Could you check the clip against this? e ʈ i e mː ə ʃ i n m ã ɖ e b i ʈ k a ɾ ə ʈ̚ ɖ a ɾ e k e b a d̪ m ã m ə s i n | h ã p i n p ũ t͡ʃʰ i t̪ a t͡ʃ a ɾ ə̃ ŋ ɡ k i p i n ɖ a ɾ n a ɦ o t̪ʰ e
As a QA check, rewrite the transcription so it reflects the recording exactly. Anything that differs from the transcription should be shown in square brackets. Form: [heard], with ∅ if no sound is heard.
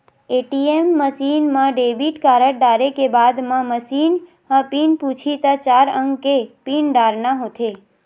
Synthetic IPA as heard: e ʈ i e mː ə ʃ i n m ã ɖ e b i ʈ k a ɾ ə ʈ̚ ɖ a ɾ e k e b a d̪ m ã m ə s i n | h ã p i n p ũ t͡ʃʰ i t̪ a t͡ʃ a ɾ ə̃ ŋ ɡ k [e] p i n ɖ a ɾ n a ɦ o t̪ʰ e